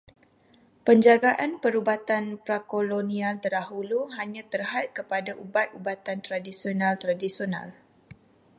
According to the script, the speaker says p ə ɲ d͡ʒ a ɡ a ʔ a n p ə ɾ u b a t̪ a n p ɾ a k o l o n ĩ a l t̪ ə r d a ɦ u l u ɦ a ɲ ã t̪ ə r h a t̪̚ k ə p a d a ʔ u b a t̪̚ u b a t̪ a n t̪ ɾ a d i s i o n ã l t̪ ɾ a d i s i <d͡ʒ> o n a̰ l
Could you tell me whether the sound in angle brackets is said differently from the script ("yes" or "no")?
yes